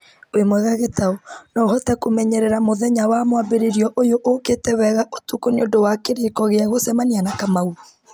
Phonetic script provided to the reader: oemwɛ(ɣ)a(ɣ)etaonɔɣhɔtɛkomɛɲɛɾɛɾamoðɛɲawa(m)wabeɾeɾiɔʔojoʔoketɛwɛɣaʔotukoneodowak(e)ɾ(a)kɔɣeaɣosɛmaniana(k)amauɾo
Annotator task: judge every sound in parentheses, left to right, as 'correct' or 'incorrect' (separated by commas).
correct, correct, correct, correct, incorrect, correct